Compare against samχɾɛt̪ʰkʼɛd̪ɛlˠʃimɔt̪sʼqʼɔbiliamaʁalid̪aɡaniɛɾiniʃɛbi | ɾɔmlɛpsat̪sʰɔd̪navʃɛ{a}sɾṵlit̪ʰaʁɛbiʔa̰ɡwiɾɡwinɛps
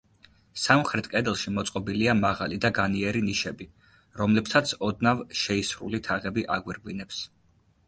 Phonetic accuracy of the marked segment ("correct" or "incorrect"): incorrect